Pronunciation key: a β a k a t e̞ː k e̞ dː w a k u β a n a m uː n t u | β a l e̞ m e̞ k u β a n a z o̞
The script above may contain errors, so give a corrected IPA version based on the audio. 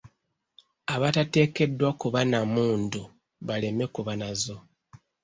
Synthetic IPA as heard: a β a t a t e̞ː k e̞ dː w a k u β a n a m uː n d u | β a l e̞ m e̞ k u β a n a z o̞